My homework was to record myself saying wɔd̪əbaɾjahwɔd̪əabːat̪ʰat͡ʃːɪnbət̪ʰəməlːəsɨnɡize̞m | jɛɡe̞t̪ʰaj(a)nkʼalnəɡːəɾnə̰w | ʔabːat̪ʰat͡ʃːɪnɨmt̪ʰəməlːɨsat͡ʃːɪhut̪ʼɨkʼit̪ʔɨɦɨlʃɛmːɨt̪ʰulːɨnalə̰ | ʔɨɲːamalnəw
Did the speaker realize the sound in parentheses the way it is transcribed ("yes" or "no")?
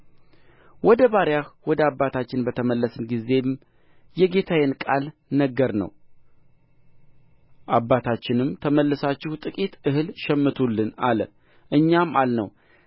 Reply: no